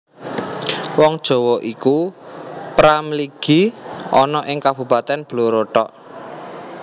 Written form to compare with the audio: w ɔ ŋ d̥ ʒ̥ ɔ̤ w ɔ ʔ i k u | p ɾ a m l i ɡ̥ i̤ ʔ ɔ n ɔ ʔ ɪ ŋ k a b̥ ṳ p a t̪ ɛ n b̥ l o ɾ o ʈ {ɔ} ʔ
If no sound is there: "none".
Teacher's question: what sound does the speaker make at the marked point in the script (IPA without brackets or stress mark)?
ɔ